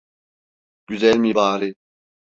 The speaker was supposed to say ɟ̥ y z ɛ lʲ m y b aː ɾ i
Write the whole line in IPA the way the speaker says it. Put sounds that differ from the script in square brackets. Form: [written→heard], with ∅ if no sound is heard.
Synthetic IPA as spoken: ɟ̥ y z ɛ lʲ m [y→i] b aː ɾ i